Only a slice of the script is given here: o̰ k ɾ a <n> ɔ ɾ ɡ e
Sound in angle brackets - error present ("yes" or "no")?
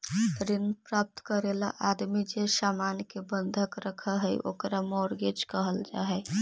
yes